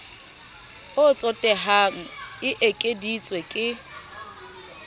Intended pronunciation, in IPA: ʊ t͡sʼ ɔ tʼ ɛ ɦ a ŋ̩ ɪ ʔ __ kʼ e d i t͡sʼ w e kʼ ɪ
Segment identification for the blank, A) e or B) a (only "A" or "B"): A